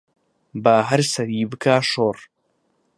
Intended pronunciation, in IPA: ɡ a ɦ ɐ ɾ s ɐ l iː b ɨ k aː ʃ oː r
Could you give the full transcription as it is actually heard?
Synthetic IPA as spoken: b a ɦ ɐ ɾ s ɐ ɾ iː b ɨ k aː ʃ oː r